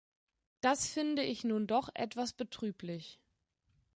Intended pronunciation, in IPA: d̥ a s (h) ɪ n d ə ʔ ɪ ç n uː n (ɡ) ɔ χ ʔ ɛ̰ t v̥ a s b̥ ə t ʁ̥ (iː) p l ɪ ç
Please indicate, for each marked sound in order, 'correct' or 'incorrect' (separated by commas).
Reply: incorrect, incorrect, incorrect